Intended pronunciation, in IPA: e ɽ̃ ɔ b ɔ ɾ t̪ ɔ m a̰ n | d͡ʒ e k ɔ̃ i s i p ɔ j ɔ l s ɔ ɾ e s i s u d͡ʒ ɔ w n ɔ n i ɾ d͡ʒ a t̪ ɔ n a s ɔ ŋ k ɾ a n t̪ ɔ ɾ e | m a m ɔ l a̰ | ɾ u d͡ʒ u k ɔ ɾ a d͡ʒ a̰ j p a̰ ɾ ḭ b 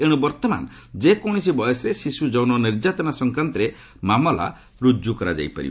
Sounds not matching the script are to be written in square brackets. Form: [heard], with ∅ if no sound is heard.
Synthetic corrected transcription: e ɽ̃ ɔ b ɔ ɾ t̪ ɔ m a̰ n | d͡ʒ e k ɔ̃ i s i [b] ɔ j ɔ [∅] s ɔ ɾ e s i s u d͡ʒ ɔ w n ɔ n i ɾ d͡ʒ a t̪ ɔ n a s ɔ ŋ k ɾ a n t̪ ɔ ɾ e | m a m ɔ l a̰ | ɾ u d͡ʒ u k ɔ ɾ a d͡ʒ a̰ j p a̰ ɾ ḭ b